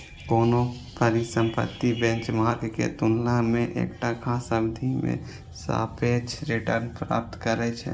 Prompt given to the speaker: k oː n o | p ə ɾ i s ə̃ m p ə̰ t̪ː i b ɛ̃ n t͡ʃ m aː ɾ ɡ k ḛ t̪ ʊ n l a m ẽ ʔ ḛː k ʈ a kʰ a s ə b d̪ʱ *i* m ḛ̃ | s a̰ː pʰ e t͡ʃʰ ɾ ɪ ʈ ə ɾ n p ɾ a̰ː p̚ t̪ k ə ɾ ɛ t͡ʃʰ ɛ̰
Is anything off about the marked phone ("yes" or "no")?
no